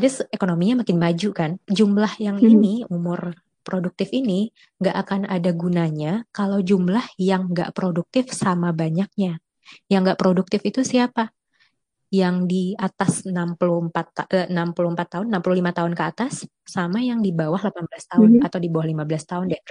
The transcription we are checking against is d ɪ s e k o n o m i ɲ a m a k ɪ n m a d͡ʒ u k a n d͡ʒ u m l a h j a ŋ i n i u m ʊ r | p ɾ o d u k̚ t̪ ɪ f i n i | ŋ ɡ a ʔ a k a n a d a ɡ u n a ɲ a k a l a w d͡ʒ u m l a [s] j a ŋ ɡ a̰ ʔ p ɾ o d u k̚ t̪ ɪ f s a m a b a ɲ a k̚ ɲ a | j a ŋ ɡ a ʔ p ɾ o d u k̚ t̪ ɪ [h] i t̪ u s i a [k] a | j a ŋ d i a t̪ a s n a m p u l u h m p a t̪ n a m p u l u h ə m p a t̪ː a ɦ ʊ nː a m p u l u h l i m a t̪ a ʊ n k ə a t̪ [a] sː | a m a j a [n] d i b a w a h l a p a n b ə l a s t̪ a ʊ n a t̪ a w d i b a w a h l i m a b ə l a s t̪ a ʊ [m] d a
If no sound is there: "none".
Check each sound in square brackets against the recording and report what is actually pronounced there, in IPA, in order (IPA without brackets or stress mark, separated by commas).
h, f, p, a, ŋ, n